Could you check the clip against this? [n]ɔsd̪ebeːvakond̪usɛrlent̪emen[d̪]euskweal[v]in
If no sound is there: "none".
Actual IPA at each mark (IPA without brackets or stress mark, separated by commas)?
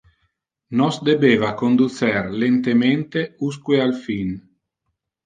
n, t̪, f